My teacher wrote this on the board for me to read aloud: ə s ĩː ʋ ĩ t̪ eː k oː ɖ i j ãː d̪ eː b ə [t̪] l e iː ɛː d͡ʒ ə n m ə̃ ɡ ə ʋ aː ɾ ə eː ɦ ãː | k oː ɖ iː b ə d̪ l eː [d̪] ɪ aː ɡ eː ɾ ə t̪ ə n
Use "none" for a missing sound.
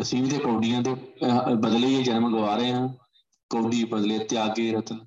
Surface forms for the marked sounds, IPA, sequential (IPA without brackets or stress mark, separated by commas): d̪, t̪